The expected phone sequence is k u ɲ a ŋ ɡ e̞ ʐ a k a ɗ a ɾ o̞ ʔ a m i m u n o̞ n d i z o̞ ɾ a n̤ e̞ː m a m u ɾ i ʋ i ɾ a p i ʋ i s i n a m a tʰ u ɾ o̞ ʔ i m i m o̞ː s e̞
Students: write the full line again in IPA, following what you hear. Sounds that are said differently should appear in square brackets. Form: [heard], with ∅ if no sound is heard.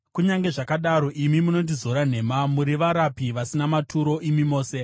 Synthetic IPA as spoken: k u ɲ a ŋ ɡ e̞ ʐ a k a ɗ a ɾ o̞ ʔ [i] m i m u n o̞ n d i z o̞ ɾ a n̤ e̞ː m a m u ɾ i ʋ [a] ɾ a p i ʋ [a] s i n a m a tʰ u ɾ o̞ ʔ i m i m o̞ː s e̞